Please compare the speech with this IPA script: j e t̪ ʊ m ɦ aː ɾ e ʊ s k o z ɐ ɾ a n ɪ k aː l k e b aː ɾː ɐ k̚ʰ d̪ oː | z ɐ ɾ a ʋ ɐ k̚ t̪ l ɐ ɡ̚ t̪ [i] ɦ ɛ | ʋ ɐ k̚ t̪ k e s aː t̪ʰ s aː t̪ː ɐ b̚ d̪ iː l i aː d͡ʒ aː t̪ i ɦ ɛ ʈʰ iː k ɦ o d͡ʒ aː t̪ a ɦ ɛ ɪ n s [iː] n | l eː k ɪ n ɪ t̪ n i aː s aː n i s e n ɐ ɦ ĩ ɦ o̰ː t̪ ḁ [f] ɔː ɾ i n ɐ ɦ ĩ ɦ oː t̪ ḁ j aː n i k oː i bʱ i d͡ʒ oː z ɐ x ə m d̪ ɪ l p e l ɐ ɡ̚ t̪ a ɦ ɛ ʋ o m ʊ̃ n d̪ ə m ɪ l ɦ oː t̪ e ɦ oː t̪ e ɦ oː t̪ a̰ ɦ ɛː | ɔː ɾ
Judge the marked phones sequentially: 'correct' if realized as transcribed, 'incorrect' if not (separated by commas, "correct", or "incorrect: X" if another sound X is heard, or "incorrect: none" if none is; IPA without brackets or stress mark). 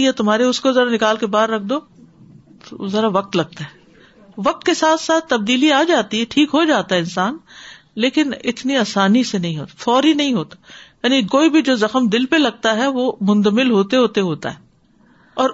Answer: incorrect: a, incorrect: aː, correct